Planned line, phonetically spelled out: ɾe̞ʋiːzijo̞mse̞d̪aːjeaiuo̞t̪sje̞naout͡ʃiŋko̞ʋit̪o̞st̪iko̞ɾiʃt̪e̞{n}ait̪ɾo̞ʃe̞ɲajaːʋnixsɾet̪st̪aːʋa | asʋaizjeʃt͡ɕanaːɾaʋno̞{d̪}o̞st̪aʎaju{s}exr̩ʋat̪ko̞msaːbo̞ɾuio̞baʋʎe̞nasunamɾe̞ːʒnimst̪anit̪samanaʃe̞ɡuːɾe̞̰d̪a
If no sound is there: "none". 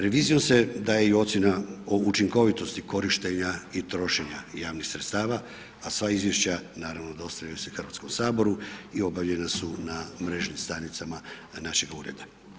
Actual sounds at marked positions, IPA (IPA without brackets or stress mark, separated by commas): ɲ, d̪, s